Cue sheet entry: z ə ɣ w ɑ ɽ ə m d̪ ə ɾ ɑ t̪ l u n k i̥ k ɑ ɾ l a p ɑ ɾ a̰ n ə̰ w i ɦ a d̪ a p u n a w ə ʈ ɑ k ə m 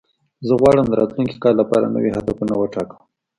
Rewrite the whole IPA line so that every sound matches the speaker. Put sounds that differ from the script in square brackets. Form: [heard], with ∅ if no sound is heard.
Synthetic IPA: z ə ɣ w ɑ ɽ ə m d̪ ə ɾ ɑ t̪ l u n k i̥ k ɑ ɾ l a p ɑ ɾ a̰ n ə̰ w i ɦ a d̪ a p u n a w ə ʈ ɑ k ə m